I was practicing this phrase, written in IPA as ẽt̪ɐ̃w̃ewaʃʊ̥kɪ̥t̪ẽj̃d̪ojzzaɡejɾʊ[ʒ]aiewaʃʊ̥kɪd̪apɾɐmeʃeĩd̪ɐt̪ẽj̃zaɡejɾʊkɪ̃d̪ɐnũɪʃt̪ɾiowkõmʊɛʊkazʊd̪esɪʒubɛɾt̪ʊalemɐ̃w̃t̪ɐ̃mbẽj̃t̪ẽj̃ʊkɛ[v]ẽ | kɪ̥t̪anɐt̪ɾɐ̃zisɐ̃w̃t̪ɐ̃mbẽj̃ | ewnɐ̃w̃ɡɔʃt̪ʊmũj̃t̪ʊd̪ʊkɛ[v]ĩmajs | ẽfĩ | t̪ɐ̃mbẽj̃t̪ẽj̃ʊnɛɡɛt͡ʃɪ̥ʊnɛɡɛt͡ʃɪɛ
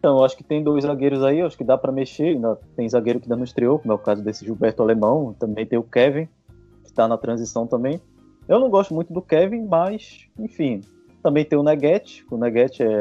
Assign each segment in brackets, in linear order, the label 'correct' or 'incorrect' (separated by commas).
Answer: incorrect, correct, correct